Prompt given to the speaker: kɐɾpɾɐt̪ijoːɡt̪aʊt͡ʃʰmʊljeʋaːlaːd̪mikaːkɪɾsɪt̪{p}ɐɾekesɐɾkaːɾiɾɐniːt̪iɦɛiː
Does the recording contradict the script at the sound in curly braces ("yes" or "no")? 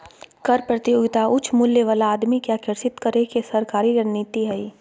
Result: yes